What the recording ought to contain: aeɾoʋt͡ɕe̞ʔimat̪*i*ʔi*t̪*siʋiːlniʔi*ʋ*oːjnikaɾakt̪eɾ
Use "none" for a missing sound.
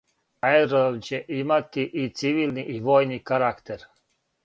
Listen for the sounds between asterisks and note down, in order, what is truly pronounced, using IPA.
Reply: i, t̪, ʋ

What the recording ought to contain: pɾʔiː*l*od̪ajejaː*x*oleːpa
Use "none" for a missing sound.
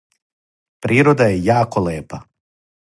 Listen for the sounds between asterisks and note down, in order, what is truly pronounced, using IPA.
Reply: ɾ, k

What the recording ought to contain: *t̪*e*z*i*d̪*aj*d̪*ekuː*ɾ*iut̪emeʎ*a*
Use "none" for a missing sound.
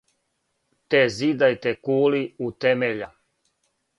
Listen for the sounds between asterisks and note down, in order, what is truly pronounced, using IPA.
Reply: t̪, z, d̪, t̪, l, a

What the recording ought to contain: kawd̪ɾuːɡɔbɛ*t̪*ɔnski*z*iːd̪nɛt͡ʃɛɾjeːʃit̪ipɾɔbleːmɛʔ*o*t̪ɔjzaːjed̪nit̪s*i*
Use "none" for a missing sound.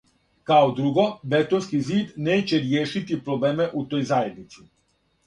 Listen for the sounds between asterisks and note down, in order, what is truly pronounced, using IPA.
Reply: t̪, z, u, i

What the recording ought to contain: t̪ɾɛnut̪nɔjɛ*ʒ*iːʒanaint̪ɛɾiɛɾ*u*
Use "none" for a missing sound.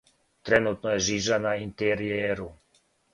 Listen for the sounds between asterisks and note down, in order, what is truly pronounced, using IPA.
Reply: ʒ, u

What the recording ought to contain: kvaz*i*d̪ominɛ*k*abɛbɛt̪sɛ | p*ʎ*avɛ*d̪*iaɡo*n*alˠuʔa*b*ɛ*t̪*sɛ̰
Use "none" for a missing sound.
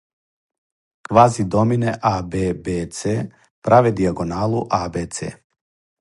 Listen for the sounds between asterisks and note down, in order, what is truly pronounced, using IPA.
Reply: i, ʔ, ɾ, d̪, n, b, t̪

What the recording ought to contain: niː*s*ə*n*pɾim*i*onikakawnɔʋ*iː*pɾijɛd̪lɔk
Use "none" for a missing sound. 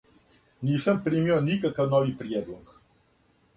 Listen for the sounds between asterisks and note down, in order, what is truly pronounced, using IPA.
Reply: s, m, i, i

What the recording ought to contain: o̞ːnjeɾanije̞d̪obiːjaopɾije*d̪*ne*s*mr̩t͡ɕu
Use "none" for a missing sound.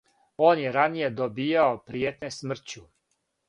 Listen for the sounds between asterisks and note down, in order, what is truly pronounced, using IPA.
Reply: t̪, s

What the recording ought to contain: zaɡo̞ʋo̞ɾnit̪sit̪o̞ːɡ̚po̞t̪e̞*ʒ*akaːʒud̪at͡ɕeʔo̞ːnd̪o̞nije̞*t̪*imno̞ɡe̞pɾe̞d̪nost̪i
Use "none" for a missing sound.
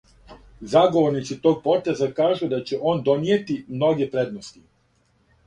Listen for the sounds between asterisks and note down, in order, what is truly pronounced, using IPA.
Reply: z, t̪

